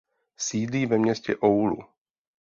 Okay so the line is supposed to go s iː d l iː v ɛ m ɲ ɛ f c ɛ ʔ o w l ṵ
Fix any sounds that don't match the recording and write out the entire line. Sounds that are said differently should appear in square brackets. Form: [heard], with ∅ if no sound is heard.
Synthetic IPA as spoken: s iː d l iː v ɛ m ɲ ɛ [s] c ɛ ʔ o w l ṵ